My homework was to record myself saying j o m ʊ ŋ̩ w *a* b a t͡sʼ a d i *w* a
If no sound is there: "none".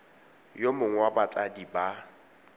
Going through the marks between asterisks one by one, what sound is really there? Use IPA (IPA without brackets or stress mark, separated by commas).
a, b